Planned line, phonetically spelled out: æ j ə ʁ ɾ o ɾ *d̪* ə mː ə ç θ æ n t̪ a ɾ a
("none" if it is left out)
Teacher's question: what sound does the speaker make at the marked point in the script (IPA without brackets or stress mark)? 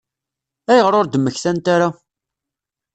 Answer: d̪